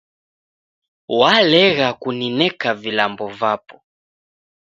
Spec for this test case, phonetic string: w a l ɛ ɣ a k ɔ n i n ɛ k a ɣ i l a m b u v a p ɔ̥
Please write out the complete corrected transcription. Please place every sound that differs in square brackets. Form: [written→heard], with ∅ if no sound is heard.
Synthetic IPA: w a l ɛ ɣ a k [ɔ→u] n i n ɛ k a [ɣ→v] i l a m b [u→ɔ] v a p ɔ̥